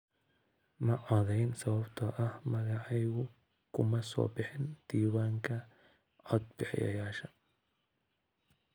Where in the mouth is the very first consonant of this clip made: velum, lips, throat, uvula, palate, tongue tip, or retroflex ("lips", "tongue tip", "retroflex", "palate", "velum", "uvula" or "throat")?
lips